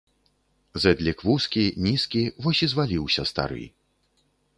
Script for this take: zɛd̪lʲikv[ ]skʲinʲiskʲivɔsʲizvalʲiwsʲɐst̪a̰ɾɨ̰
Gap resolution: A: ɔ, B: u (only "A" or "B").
B